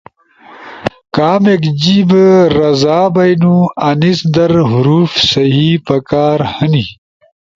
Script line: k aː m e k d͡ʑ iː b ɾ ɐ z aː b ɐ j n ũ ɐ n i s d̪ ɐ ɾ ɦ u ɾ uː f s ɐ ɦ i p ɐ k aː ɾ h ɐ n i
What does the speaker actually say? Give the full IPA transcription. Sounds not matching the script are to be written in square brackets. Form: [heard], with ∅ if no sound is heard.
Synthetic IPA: k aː m e k d͡ʑ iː b ɾ ɐ z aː b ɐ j n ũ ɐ n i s d̪ ɐ ɾ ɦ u ɾ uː f s ɐ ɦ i p ɐ k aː ɾ h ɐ n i